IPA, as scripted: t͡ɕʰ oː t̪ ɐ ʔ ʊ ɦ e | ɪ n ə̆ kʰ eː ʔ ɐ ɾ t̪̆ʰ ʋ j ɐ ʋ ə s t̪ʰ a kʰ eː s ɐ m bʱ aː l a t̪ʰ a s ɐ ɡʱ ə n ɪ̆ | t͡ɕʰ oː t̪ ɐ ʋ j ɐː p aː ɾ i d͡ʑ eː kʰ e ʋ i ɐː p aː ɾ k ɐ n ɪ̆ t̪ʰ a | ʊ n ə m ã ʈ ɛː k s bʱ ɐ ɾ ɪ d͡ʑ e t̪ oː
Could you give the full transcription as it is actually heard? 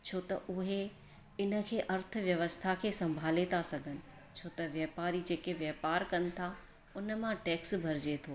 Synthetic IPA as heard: t͡ɕʰ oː t̪ ɐ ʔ ʊ ɦ e | ɪ n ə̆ kʰ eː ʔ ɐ ɾ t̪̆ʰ ʋ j ɐ ʋ ə s t̪ʰ a kʰ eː s ɐ̃ m bʱ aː l e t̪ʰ a s ɐ ɡʱ ə n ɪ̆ | t͡ɕʰ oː t̪ ɐ ʋ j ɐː p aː ɾ i d͡ʑ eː k e ʋ j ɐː p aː ɾ k ɐ n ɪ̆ t̪ʰ a | ʊ n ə m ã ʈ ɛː k s bʱ ɐ ɾ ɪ d͡ʑ e t̪ʰ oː